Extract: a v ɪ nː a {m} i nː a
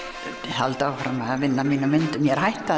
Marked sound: correct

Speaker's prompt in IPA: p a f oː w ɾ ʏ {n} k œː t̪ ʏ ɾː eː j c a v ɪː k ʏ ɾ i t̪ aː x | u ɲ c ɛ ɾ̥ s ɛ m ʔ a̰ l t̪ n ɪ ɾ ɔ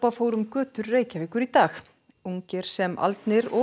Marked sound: incorrect: m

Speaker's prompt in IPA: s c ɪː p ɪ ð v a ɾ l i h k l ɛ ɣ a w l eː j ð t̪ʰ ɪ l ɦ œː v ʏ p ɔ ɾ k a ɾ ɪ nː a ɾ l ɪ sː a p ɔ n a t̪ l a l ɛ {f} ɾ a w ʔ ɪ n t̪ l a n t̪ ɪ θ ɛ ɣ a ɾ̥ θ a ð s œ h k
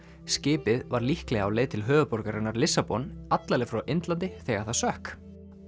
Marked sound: correct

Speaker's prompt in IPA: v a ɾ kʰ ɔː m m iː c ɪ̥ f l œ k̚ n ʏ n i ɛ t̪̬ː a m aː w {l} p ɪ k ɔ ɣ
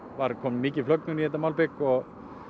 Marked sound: correct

